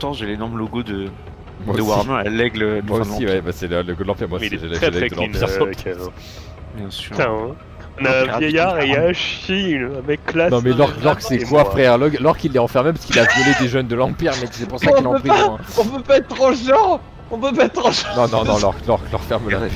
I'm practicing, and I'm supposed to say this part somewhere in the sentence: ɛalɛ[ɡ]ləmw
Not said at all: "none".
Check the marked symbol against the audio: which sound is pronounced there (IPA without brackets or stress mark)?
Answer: ɡ